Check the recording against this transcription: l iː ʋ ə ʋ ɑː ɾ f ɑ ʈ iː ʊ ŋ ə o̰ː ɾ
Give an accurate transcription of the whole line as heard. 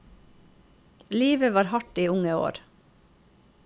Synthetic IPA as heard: l iː ʋ ə ʋ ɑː ɾ h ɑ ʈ iː ʊ ŋ ə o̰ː ɾ